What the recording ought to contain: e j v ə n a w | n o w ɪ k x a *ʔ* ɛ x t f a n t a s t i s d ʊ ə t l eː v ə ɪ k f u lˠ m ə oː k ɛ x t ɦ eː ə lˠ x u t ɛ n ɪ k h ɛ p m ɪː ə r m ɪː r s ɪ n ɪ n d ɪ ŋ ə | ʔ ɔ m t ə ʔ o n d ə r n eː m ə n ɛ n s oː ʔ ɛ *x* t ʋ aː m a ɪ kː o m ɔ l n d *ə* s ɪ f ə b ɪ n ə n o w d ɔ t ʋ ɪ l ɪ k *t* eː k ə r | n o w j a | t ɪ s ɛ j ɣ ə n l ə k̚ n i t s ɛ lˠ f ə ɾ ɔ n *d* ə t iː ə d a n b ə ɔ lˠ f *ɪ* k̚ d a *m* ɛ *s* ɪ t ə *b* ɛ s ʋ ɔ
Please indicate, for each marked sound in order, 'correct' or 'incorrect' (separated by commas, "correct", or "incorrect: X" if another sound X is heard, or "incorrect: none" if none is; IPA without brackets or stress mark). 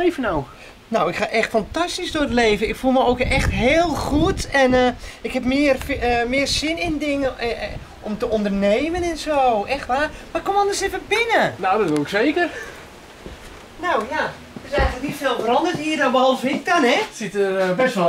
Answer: correct, correct, correct, incorrect: s, correct, correct, incorrect: n, correct, correct